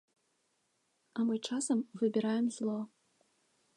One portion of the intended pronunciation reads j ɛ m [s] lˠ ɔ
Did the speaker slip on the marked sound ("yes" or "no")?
yes